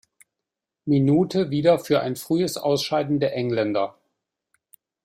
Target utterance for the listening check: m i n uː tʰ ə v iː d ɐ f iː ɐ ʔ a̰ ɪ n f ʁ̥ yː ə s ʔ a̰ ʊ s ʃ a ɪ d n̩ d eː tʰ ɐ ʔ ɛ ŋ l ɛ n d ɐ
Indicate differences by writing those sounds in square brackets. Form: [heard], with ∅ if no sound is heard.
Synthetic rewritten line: m i n uː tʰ ə v iː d ɐ f [yː] ɐ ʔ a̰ ɪ n f ʁ̥ yː ə s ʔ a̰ ʊ s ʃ a ɪ d n̩ d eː [∅] ɐ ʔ ɛ ŋ l ɛ n d ɐ

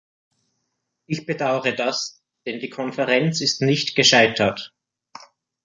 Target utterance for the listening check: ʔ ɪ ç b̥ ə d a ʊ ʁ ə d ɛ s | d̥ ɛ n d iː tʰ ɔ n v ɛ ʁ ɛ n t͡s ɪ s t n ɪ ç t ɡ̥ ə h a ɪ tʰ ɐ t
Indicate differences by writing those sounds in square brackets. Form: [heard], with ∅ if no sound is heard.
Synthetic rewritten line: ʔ ɪ ç b̥ ə d a ʊ ʁ ə d [a] s | d̥ ɛ n d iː [kʰ] ɔ n [f] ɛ ʁ ɛ n t͡s ɪ s t n ɪ ç t ɡ̥ ə [ʃ] a ɪ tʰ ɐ t

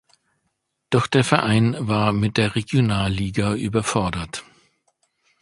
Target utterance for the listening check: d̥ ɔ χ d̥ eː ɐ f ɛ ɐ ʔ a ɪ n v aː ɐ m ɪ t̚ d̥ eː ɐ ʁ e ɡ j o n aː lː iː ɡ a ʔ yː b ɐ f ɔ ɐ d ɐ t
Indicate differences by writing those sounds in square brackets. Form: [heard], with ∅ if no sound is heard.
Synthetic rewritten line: d̥ ɔ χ d̥ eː ɐ f ɛ ɐ ʔ a ɪ n v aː ɐ m ɪ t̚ d̥ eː ɐ ʁ e ɡ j o n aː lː iː ɡ a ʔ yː b ɐ f ɔ ɐ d ɐ t

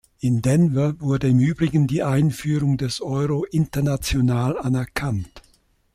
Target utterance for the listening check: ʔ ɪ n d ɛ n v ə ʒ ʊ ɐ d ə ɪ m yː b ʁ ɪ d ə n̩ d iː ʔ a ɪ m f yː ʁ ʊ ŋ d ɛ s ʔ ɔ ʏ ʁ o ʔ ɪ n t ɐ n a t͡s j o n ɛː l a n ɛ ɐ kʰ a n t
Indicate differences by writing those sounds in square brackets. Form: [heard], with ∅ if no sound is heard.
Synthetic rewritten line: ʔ ɪ n d ɛ n v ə [v] ʊ ɐ d ə ɪ m yː b ʁ ɪ [ɡ] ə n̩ d iː ʔ a ɪ [n] f yː ʁ ʊ ŋ d ɛ s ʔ ɔ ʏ ʁ o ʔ ɪ n t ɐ n a t͡s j o n [aː] l a n ɛ ɐ kʰ a n t

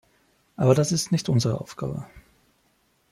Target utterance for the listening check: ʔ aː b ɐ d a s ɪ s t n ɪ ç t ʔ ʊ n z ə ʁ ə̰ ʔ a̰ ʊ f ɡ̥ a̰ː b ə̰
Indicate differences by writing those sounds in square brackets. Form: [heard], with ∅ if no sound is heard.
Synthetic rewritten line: ʔ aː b ɐ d a s ɪ s t n ɪ ç t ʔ ʊ n z ə ʁ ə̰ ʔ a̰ ʊ f ɡ̥ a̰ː b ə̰

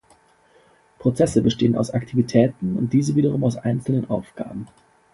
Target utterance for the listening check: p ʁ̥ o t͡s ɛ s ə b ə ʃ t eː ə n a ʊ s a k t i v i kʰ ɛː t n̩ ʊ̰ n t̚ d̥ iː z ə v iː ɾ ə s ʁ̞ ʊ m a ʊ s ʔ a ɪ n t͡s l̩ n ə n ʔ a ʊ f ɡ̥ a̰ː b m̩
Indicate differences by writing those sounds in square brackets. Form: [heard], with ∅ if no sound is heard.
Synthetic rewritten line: p ʁ̥ o t͡s ɛ s ə b ə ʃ t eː ə n a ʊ s a k [tʰ] i v i [tʰ] ɛː t n̩ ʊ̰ n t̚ d̥ iː z ə v iː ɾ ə [∅] ʁ̞ ʊ m a ʊ s ʔ a ɪ n t͡s l̩ n ə n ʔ a ʊ f ɡ̥ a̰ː b m̩

